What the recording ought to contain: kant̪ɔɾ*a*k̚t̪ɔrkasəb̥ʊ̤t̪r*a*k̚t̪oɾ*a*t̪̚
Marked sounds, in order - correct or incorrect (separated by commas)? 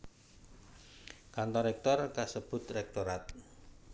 incorrect, incorrect, correct